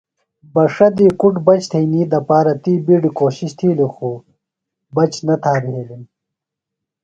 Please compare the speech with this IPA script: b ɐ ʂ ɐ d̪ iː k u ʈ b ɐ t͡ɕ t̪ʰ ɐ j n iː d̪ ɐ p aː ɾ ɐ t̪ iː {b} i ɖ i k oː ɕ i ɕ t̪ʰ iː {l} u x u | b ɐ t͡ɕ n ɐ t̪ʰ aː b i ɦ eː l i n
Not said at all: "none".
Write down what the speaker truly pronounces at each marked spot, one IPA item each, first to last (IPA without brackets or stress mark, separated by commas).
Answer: b, l